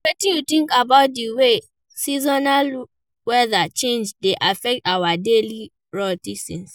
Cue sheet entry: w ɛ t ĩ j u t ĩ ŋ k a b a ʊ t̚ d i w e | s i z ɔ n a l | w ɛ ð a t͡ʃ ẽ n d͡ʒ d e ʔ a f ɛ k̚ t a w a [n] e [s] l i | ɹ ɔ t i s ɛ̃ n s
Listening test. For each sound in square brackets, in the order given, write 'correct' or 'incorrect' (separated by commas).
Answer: incorrect, incorrect